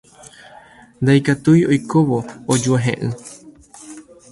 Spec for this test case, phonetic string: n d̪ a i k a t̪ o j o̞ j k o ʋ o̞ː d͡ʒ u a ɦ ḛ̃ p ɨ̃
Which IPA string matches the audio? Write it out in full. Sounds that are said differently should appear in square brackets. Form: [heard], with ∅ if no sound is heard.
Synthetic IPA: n d̪ a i k a t̪ [u] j o̞ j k o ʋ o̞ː d͡ʒ u a ɦ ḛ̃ [ʔ] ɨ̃

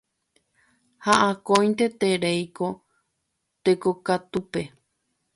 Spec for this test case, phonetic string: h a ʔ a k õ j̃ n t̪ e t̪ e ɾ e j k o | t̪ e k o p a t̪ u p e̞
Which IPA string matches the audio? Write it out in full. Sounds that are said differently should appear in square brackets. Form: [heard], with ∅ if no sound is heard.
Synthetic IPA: h a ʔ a k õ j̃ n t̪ e t̪ e ɾ e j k o | t̪ e k o [k] a t̪ u p e̞

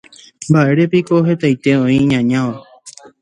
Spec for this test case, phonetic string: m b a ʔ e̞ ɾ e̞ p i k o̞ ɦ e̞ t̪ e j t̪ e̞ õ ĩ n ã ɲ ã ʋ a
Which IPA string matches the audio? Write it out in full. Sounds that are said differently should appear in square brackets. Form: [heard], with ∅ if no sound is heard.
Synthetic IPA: m b a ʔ e̞ ɾ e̞ p i k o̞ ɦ e̞ t̪ [a] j t̪ e̞ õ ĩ [ɲ] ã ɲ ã ʋ a

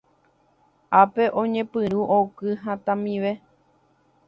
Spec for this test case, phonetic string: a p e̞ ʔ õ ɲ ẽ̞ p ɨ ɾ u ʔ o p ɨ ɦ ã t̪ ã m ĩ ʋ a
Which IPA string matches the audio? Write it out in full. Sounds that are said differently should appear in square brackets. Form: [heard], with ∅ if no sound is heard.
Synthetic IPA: a p e̞ ʔ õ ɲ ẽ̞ p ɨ ɾ u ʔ o [k] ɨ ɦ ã t̪ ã m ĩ ʋ [e]

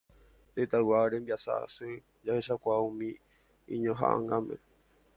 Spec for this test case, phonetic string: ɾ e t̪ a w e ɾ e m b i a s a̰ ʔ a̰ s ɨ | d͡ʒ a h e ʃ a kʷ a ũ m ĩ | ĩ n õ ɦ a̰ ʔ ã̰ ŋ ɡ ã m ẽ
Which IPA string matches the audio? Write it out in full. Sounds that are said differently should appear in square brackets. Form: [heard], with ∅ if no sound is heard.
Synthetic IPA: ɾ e t̪ a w [a] ɾ e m b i a s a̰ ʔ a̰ s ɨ | d͡ʒ a h e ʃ a kʷ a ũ m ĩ | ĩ [ɲ] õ ɦ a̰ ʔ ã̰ ŋ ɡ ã m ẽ

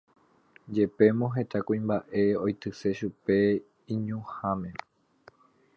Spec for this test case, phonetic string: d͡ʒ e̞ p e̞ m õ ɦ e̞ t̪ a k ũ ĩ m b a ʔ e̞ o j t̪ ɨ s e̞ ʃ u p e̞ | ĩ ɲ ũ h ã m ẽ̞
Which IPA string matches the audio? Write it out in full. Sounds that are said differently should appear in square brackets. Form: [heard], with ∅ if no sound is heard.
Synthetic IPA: d͡ʒ e̞ p e̞ m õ ɦ e̞ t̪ a k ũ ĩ m b a ʔ e̞ o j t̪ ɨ s e̞ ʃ u p e̞ | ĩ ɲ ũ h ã m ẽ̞

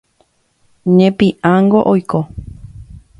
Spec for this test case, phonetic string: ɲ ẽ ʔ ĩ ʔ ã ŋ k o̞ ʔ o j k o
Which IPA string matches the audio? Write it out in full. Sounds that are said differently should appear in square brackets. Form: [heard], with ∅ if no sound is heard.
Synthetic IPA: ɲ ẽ [p] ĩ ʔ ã ŋ [ɡ] o̞ ʔ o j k o

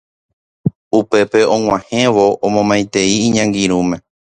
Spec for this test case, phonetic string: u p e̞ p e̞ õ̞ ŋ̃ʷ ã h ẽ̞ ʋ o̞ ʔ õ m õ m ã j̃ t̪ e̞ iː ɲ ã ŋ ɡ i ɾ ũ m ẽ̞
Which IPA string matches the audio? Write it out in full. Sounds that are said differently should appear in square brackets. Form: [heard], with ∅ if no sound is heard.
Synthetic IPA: u p e̞ p e̞ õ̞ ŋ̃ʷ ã h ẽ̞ ʋ o̞ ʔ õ m õ m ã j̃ t̪ e̞ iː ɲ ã ŋ ɡ i ɾ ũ m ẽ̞

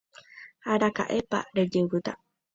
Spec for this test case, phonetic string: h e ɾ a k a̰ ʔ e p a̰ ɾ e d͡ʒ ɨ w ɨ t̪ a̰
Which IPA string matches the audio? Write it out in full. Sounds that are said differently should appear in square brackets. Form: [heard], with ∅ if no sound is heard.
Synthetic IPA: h [a] ɾ a k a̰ ʔ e p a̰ ɾ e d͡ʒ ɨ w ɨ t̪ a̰

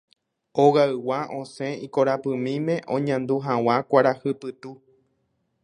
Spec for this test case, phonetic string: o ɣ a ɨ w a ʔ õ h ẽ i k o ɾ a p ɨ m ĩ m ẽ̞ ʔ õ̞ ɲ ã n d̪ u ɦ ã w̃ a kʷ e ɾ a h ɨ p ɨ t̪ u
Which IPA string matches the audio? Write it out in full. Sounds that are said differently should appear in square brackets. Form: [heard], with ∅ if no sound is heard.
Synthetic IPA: o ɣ a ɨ w a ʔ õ [s] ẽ i k o ɾ a p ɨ m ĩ m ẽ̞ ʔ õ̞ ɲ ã n d̪ u ɦ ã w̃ a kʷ [a] ɾ a h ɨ p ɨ t̪ u

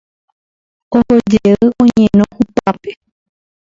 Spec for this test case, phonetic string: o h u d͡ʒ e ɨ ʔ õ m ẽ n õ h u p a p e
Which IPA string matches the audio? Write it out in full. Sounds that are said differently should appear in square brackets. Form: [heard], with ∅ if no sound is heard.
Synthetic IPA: o h [o] d͡ʒ e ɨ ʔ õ [ɲ] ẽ n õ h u p a p e

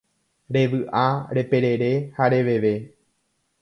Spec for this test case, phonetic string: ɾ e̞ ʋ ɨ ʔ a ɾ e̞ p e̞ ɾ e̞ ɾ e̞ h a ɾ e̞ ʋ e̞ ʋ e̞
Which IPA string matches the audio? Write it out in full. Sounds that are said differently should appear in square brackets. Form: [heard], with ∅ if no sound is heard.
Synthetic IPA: ɾ e̞ ʋ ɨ ʔ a ɾ e̞ p e̞ ɾ e̞ ɾ e̞ h a ɾ e̞ ʋ e̞ ʋ e̞

